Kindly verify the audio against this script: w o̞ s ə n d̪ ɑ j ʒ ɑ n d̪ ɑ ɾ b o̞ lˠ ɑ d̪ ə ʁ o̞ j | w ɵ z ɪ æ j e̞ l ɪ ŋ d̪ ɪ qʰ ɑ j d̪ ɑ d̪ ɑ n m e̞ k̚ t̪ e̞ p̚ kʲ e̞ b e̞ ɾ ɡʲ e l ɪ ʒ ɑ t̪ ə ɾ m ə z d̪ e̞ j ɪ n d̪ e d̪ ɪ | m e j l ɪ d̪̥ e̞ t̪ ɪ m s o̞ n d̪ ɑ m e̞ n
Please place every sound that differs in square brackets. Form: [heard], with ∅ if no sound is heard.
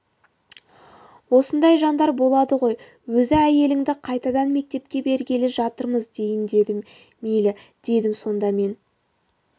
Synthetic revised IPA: w o̞ s ə n d̪ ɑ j ʒ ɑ n d̪ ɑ ɾ b o̞ lˠ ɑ d̪ ə ʁ o̞ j | w ɵ z ɪ æ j e̞ l ɪ ŋ d̪ ɪ qʰ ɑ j [t̪] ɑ d̪ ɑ n m e̞ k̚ t̪ e̞ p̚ kʲ e̞ b e̞ ɾ ɡʲ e l ɪ ʒ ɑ t̪ ə ɾ m ə z d̪ e̞ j ɪ n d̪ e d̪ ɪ | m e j l ɪ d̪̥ e̞ [d̪] ɪ m s o̞ n d̪ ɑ m e̞ n